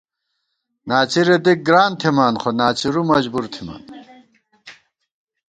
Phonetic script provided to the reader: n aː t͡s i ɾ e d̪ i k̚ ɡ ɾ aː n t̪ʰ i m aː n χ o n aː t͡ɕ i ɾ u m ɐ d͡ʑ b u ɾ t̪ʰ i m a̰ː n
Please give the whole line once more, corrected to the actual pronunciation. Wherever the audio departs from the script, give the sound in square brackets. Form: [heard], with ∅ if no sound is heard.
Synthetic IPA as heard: n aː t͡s i ɾ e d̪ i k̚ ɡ ɾ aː n t̪ʰ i m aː n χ o n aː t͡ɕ i ɾ u m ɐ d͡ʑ b u ɾ t̪ʰ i m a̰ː n